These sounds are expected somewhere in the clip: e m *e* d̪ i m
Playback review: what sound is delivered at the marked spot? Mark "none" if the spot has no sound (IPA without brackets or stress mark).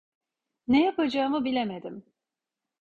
e